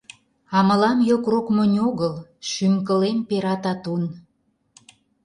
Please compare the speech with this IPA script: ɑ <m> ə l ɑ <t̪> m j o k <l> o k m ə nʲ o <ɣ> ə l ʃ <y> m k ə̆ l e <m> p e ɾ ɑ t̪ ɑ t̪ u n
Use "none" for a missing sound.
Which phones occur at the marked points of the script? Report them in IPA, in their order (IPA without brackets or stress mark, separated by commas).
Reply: m, none, r, ɣ, y, m